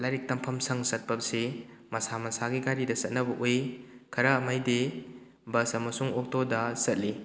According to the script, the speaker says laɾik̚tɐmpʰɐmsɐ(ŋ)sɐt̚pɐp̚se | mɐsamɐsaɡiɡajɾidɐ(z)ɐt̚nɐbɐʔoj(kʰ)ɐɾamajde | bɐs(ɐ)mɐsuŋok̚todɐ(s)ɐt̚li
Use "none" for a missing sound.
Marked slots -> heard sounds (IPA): ŋ, s, kʰ, ɐ, s

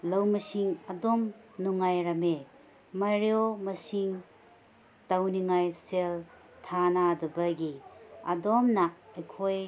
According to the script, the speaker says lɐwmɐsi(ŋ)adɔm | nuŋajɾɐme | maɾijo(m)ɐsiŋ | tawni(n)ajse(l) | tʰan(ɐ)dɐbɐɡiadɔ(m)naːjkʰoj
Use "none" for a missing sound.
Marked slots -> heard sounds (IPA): ŋ, m, ŋ, l, a, m

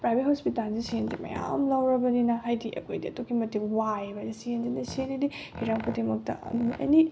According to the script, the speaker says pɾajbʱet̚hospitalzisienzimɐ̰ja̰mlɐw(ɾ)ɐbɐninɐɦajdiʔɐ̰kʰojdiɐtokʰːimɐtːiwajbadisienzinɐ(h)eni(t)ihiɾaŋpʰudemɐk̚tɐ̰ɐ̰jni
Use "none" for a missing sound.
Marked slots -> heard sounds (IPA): ɾ, s, d

